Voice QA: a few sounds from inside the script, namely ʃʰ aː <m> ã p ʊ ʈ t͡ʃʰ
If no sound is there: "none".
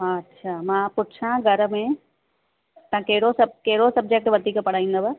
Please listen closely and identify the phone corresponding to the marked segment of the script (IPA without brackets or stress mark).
m